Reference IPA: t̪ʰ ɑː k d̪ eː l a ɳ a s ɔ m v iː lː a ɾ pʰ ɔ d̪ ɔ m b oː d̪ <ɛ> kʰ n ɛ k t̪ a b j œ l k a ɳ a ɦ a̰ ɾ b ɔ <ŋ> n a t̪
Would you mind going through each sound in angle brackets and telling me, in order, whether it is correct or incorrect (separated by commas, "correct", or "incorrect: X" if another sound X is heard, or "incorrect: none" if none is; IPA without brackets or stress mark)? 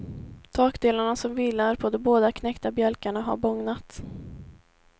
incorrect: a, correct